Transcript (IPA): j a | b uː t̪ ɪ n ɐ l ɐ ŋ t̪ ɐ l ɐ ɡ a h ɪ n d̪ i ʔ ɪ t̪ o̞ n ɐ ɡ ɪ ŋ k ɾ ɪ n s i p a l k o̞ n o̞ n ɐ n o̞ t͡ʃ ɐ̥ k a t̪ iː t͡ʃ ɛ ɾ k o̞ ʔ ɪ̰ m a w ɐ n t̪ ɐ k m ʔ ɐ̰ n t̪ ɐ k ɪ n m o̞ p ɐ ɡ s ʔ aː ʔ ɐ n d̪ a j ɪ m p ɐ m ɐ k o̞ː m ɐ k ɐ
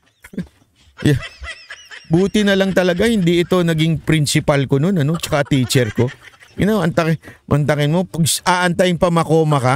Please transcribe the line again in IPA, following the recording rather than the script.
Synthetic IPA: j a | b uː t̪ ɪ n ɐ l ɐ ŋ t̪ ɐ l ɐ ɡ a h ɪ n d̪ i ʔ ɪ t̪ o̞ n ɐ ɡ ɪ ŋ p ɾ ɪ n s ɪ p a l k o̞ n o̞ n ɐ n o̞ t͡ʃ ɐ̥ k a t̪ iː t͡ʃ ɛ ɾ k o̞ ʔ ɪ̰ n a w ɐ n t̪ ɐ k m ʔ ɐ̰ n t̪ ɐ k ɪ n m o̞ p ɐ ɡ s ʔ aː ʔ ɐ n t̪ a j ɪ ŋ p ɐ m ɐ k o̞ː m ɐ k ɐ